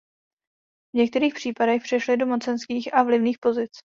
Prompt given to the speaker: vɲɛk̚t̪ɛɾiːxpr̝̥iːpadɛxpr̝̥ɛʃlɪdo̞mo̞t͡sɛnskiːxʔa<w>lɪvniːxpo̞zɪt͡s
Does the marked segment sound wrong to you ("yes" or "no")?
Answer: yes